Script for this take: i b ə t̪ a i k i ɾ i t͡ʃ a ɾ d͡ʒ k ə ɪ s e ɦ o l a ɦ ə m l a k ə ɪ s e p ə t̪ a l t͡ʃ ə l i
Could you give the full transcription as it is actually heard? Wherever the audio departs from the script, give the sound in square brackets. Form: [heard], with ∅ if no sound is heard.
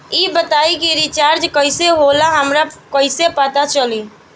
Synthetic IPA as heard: i b ə t̪ a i k i ɾ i t͡ʃ a ɾ d͡ʒ k ə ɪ s e ɦ o l a ɦ ə m [ɾ] a k ə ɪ s e p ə t̪ a [∅] t͡ʃ ə l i